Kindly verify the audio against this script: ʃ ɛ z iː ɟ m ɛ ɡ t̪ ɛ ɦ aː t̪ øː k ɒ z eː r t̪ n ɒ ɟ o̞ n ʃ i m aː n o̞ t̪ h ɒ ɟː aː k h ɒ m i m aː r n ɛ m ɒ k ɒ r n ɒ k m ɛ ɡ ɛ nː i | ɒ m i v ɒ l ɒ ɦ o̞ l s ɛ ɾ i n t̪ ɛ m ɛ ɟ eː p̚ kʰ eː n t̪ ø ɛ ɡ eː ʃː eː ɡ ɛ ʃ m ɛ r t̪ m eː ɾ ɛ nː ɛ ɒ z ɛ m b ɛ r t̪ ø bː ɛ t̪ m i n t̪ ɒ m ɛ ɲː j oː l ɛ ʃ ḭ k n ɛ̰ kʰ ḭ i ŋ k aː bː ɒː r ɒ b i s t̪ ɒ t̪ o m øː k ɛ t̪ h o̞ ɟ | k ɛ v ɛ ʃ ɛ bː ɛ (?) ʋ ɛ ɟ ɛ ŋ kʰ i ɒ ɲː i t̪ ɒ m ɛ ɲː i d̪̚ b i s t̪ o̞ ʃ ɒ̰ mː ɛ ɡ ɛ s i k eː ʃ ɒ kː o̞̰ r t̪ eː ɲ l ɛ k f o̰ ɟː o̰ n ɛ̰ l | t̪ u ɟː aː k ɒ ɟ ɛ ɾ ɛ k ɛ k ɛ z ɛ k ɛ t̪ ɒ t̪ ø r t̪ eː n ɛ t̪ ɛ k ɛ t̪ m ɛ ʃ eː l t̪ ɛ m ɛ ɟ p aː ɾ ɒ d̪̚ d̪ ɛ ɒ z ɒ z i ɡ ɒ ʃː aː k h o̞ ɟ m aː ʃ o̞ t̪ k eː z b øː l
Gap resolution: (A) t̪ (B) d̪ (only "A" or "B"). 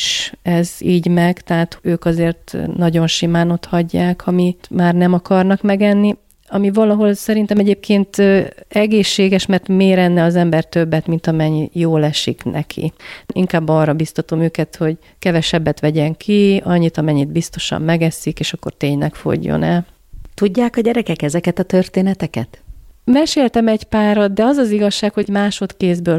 A